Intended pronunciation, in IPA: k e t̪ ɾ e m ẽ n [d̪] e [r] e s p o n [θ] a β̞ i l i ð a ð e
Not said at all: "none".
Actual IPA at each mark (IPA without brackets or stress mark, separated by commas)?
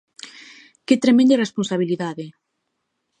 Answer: d̪, r, s